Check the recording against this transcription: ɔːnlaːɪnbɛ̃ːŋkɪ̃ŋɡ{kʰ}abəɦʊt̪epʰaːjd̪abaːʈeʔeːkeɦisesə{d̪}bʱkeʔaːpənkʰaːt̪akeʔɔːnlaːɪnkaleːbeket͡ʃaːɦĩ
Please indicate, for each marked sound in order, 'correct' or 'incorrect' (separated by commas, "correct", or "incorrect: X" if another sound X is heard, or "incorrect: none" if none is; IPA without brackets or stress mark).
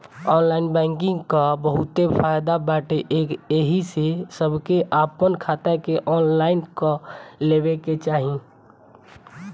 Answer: incorrect: k, incorrect: none